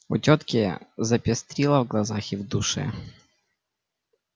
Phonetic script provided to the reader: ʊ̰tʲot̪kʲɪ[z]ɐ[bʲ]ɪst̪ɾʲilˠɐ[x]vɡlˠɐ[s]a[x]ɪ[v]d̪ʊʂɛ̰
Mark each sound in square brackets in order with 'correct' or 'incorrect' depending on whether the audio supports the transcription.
correct, incorrect: pʲ, incorrect: none, incorrect: z, correct, correct

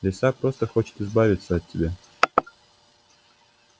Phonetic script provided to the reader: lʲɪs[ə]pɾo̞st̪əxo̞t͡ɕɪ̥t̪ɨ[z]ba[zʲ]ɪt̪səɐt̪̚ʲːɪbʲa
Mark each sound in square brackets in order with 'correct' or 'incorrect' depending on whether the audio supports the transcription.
incorrect: a, correct, incorrect: vʲ

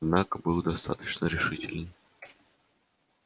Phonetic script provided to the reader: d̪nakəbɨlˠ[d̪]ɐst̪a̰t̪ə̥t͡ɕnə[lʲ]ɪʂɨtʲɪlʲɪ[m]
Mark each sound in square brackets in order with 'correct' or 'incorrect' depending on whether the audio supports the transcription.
correct, incorrect: ɾʲ, incorrect: n

